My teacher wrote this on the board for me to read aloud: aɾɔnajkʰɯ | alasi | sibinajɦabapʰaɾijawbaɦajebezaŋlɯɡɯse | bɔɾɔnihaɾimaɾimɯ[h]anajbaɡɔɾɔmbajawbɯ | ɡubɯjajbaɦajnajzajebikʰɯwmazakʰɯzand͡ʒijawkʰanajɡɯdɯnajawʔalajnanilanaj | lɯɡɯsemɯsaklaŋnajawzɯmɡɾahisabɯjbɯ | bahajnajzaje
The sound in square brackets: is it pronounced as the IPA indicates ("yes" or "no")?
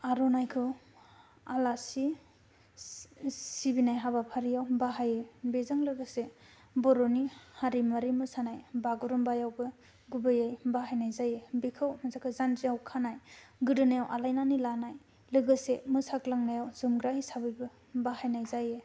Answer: no